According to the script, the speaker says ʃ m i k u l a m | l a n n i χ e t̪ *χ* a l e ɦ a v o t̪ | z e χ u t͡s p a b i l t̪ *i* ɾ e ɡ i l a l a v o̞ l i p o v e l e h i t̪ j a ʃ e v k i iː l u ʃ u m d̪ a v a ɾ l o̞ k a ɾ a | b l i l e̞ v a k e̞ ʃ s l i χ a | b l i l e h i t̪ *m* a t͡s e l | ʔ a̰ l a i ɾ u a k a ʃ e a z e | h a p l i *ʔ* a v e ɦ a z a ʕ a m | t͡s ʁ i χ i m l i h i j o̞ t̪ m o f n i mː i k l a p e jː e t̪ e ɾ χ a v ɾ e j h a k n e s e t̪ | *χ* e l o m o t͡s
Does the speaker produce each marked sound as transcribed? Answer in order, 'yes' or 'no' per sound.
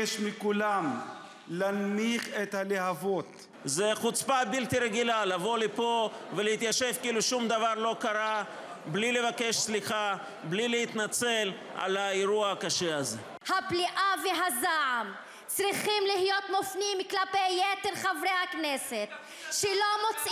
no, yes, no, yes, no

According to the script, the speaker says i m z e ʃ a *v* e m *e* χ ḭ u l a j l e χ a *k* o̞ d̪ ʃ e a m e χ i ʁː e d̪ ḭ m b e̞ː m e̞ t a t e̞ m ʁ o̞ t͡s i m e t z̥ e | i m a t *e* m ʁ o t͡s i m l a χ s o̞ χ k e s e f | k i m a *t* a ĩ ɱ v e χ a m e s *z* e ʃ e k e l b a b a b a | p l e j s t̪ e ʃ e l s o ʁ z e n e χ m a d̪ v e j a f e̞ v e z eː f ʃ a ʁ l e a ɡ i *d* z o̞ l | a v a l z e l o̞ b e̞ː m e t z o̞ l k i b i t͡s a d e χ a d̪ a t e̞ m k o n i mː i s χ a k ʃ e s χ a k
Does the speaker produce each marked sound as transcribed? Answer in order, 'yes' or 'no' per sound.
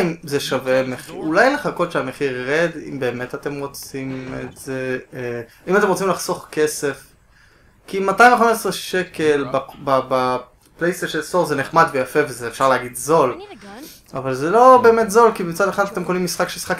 yes, yes, yes, yes, yes, no, yes

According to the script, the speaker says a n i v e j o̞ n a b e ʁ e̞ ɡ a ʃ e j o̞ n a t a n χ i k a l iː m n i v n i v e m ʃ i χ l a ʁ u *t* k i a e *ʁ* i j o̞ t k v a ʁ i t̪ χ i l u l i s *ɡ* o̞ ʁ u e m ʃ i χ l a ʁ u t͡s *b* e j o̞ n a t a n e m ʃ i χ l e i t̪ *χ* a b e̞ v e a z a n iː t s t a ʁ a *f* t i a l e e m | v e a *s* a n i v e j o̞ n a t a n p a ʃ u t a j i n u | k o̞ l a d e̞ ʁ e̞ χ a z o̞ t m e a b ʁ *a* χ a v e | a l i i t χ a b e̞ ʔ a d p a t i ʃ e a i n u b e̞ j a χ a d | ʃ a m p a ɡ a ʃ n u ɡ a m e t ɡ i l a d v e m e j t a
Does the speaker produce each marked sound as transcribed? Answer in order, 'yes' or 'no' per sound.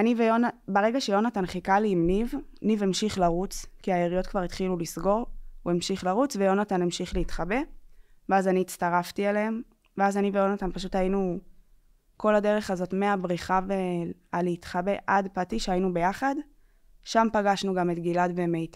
no, yes, yes, no, yes, yes, no, no

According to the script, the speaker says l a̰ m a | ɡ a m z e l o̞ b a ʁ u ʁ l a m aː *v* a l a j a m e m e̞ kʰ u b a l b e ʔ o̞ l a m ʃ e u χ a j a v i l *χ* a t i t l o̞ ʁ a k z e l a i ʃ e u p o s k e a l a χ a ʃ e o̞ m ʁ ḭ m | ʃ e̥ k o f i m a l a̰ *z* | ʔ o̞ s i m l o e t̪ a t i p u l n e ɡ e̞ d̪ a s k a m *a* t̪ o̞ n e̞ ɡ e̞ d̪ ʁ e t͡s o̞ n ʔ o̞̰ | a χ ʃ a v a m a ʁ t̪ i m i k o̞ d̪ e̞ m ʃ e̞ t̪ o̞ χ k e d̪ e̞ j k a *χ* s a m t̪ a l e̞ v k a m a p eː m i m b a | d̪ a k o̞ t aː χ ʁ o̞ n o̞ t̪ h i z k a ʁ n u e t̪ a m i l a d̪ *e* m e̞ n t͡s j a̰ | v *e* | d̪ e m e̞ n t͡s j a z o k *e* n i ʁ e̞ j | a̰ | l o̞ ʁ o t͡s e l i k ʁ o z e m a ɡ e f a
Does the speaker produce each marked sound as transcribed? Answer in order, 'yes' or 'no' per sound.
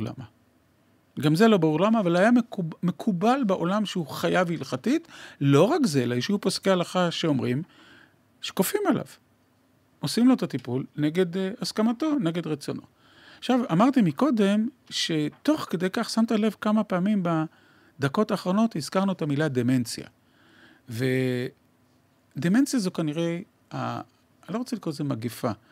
yes, yes, no, yes, yes, yes, yes, no

